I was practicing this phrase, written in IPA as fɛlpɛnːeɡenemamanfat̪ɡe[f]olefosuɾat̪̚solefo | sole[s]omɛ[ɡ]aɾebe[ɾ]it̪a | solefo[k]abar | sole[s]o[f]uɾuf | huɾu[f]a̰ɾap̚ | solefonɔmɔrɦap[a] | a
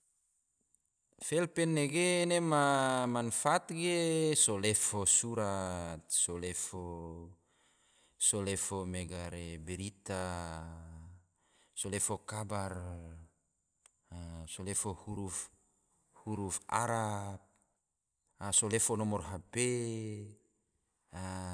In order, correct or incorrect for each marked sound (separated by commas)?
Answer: incorrect, incorrect, correct, correct, correct, incorrect, incorrect, correct, incorrect